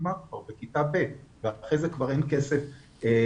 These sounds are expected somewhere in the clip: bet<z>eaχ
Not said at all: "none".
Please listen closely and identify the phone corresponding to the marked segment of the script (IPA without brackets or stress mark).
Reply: v